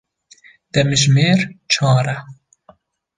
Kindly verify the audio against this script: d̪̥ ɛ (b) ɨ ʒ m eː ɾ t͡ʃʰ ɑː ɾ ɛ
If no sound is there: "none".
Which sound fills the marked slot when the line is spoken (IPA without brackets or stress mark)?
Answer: m